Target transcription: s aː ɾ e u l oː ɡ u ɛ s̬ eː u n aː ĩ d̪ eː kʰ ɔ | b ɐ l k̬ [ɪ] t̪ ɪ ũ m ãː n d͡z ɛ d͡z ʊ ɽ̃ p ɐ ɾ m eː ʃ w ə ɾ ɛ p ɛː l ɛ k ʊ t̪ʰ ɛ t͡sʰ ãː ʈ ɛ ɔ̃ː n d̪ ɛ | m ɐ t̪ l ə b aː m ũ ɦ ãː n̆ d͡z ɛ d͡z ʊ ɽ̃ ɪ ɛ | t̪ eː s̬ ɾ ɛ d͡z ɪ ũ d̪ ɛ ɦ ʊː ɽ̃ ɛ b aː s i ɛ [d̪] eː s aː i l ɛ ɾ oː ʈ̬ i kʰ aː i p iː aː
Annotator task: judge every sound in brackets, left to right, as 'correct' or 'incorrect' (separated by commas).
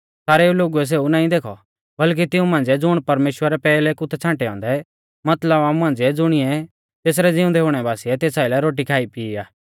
incorrect, incorrect